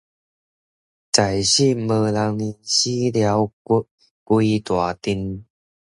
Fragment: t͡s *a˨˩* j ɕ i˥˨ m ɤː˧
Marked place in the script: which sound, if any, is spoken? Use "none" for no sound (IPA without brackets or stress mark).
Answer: a˨˩